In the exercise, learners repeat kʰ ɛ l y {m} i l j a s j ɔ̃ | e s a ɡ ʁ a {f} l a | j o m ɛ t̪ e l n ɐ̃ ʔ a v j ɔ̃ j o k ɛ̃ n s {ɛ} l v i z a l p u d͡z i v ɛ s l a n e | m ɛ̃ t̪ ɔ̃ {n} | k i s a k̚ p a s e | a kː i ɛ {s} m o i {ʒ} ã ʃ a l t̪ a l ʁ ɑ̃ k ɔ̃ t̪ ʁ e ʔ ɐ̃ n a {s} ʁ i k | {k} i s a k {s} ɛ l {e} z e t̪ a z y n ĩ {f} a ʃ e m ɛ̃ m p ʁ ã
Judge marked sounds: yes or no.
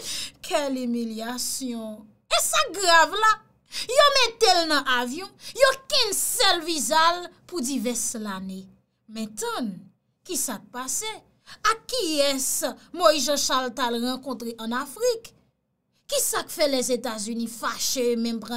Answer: yes, no, yes, yes, yes, yes, no, yes, no, no, yes

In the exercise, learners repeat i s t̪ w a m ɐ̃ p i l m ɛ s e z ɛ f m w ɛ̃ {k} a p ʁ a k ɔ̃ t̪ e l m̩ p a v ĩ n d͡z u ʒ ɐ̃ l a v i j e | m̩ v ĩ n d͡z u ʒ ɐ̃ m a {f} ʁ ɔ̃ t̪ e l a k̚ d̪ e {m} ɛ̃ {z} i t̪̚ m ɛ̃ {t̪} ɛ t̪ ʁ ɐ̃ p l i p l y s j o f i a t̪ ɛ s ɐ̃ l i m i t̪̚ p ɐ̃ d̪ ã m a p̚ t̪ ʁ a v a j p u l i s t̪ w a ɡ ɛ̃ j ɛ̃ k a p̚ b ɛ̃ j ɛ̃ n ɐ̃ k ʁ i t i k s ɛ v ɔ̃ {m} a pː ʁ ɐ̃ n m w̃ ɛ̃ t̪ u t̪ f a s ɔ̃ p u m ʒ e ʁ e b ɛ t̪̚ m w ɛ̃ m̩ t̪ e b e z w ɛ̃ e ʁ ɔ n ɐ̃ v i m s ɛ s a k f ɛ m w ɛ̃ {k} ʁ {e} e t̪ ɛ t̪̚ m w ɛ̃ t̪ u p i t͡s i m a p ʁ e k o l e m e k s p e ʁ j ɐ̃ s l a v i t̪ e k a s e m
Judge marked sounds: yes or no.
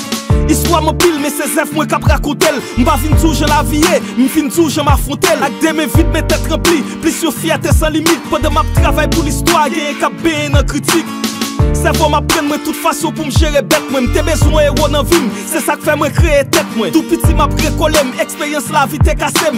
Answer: yes, yes, yes, no, yes, yes, yes, yes

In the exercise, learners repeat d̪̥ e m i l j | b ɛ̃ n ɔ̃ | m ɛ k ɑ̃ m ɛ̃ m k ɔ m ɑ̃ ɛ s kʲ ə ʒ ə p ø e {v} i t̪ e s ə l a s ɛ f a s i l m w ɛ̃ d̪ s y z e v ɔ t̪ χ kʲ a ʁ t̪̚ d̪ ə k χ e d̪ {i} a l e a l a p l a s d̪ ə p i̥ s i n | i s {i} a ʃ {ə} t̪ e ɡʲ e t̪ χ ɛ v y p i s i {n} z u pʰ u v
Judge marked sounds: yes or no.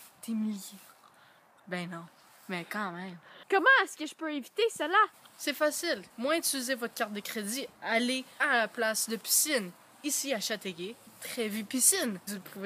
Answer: yes, yes, yes, no, yes

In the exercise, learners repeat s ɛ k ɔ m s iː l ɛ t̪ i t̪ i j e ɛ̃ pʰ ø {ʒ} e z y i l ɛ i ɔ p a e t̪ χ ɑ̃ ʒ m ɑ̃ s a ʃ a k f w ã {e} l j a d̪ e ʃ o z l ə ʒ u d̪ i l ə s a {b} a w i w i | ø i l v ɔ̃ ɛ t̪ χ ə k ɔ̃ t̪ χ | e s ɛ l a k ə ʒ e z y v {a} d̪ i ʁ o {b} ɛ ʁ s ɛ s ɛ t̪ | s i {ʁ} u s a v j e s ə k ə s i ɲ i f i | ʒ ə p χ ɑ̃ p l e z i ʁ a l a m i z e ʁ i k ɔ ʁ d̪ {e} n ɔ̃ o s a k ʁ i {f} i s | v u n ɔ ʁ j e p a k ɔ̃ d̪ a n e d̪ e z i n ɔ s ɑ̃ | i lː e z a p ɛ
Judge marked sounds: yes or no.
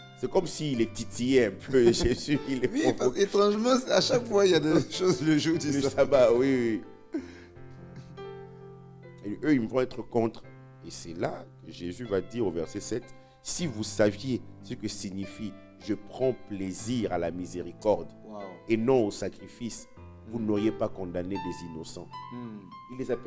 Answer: yes, no, yes, yes, no, no, yes, yes

